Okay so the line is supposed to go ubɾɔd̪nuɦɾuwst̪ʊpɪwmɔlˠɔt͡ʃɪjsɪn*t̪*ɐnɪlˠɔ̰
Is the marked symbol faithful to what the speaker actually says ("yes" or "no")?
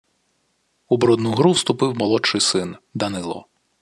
no